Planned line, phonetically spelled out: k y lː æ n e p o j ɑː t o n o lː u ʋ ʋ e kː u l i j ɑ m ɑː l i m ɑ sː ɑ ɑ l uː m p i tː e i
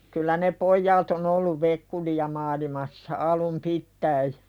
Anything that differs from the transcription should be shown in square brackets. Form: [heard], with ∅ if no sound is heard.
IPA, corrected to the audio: k y lː æ n e p o [jː] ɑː t o n o lː u ʋ ʋ e kː u l i j ɑ m ɑː l i m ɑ sː ɑ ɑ l [u] m p i tː [æ] i